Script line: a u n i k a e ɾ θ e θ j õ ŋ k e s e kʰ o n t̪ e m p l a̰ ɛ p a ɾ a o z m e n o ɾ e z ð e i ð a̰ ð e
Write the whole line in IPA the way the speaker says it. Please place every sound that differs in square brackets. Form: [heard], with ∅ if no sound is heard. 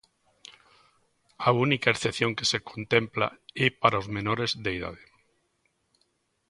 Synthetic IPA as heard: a u n i k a e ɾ θ e θ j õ ŋ k e s e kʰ o n t̪ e m p l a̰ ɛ p a ɾ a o z m e n o ɾ e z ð e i ð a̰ ð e